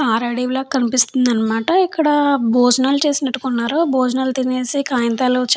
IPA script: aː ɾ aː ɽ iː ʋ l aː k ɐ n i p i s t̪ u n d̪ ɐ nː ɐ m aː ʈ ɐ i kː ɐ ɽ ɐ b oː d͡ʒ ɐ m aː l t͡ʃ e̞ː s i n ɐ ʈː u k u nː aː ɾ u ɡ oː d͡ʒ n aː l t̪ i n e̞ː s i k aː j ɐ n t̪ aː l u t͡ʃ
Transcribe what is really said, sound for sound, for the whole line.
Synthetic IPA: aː ɾ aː ɽ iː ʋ l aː k ɐ n i p i s t̪ u n d̪ ɐ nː ɐ m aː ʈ ɐ i kː ɐ ɽ ɐ b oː d͡ʒ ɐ n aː l t͡ʃ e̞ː s i n ɐ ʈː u k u nː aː ɾ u b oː d͡ʒ n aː l t̪ i n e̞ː s i k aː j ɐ n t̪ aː l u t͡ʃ